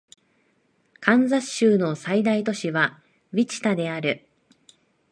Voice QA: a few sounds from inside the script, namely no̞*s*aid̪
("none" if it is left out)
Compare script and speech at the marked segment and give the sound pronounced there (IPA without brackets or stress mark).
s